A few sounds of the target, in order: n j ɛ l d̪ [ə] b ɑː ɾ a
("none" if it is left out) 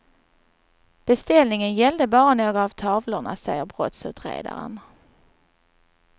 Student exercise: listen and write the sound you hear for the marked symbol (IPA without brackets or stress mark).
ə